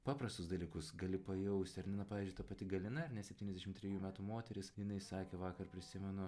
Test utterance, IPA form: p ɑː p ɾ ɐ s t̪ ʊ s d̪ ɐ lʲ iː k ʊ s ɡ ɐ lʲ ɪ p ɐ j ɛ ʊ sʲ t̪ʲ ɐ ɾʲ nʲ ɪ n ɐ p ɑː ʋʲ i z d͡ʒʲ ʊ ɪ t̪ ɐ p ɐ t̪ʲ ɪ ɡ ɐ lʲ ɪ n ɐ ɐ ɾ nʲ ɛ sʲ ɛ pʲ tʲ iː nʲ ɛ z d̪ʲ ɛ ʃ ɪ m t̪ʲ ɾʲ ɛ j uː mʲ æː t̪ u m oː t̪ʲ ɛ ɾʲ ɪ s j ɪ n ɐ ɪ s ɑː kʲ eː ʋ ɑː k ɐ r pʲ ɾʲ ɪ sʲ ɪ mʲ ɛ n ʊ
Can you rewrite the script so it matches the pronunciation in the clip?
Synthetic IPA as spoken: p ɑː p ɾ ɐ s t̪ ʊ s d̪ ɐ lʲ iː k ʊ s ɡ ɐ lʲ ɪ p ɐ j ɛ ʊ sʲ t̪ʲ ɐ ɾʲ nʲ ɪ n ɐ p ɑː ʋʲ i z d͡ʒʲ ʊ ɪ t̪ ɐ p ɐ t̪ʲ ɪ ɡ ɐ lʲ ɪ n ɐ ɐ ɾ nʲ ɛ sʲ ɛ pʲ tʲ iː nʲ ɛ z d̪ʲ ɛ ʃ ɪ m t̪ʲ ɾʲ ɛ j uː mʲ æː t̪ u m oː t̪ʲ ɛ ɾʲ ɪ s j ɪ n ɐ ɪ s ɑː kʲ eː ʋ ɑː k ɐ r pʲ ɾʲ ɪ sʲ ɪ mʲ ɛ n ʊ